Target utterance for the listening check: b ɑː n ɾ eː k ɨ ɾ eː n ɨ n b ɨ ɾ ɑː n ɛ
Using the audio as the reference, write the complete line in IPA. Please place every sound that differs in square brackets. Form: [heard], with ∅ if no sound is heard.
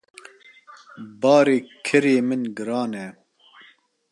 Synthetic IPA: b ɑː [∅] ɾ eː [kʰ] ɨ ɾ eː [m] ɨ n [ɡ] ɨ ɾ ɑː n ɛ